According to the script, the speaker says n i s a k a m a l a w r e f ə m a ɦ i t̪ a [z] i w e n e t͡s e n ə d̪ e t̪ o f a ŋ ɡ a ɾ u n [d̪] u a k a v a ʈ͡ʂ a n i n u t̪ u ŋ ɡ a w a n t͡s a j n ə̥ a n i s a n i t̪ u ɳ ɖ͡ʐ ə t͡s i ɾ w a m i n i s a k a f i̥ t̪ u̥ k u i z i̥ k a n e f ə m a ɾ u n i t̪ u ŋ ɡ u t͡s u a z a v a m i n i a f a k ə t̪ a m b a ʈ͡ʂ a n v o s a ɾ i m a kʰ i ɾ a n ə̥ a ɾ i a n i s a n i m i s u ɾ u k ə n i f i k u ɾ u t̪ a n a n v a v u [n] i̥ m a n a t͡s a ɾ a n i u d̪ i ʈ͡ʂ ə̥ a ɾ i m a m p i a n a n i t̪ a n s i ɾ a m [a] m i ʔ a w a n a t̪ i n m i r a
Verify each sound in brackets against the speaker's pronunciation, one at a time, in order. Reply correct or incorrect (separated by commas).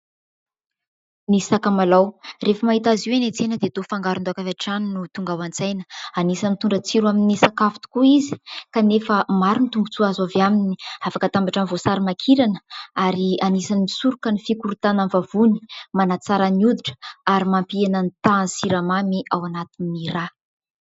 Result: correct, correct, correct, correct